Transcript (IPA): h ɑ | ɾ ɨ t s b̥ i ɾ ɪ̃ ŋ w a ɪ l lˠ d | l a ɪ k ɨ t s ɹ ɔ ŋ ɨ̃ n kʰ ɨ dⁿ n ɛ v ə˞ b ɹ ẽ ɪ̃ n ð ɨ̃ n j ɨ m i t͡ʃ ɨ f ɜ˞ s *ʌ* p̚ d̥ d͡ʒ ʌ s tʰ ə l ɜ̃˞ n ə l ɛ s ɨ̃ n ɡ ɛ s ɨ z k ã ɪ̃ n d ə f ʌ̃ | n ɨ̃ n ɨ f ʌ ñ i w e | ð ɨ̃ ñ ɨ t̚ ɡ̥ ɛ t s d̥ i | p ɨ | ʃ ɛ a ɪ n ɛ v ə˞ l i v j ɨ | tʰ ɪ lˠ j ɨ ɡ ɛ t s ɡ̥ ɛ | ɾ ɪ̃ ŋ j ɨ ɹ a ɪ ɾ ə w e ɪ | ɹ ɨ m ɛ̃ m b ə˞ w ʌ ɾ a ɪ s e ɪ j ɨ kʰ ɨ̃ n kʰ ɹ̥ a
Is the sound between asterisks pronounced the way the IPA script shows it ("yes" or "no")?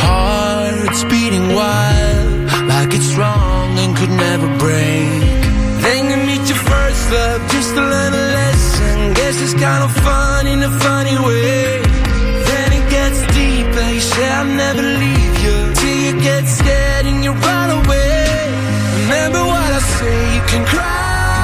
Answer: yes